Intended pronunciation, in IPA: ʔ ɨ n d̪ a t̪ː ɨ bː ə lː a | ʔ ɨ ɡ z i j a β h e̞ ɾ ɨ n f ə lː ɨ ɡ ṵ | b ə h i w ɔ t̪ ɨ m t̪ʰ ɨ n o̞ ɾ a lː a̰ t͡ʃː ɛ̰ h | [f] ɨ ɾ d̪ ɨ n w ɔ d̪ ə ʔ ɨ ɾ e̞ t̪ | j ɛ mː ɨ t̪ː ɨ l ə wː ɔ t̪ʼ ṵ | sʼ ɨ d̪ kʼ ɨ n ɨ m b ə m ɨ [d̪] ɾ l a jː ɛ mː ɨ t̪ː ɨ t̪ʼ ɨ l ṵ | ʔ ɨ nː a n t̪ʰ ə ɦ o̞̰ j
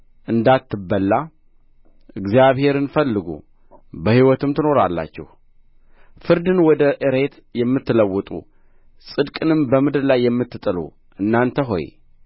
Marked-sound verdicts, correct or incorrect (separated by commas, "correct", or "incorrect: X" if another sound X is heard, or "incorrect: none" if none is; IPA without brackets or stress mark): correct, correct